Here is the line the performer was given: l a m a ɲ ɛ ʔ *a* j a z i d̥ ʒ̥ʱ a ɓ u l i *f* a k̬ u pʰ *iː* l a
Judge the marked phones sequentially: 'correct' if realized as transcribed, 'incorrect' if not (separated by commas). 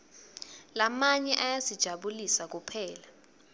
correct, incorrect, incorrect